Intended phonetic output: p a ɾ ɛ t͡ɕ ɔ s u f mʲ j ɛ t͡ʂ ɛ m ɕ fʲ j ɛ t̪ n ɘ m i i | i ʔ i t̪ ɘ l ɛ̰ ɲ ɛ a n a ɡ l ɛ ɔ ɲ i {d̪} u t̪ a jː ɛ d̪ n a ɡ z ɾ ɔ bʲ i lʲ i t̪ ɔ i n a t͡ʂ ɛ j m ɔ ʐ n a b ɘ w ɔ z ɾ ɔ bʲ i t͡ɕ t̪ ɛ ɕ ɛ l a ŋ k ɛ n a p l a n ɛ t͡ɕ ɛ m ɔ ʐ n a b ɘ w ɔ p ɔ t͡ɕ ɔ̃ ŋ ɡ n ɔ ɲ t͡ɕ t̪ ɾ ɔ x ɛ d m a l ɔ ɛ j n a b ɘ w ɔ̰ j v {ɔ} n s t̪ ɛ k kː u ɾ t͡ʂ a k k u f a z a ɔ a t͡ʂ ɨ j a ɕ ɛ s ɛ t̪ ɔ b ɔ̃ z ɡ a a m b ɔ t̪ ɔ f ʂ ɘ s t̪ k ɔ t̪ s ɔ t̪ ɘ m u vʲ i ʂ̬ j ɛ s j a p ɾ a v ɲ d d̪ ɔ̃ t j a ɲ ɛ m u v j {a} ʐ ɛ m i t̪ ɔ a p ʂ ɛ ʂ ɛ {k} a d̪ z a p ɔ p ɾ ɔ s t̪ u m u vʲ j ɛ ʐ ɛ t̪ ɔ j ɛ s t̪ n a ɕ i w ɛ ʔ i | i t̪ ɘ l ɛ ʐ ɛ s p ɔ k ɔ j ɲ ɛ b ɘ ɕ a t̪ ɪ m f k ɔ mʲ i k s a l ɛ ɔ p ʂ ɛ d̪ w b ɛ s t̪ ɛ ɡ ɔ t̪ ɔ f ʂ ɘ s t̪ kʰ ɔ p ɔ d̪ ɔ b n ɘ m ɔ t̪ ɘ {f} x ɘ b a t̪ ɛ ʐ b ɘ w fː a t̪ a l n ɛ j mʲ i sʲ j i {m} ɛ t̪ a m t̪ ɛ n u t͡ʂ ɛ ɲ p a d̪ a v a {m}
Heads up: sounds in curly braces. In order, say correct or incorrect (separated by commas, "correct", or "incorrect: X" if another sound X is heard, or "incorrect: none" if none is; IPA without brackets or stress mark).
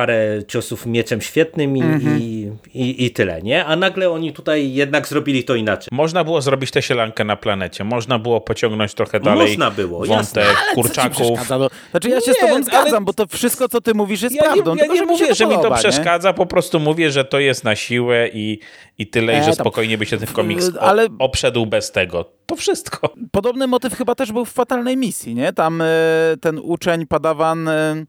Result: incorrect: t̪, correct, incorrect: ɛ, correct, correct, incorrect: ɲ, incorrect: n